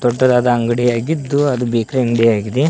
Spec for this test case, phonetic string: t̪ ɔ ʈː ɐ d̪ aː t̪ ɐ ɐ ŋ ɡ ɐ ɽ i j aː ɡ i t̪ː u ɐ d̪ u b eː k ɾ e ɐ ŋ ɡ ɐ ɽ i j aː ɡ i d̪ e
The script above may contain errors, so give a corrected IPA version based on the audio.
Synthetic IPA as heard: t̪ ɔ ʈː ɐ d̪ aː d̪ ɐ ɐ ŋ ɡ ɐ ɽ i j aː ɡ i d̪ː u ɐ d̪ u b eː k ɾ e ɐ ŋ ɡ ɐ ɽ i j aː ɡ i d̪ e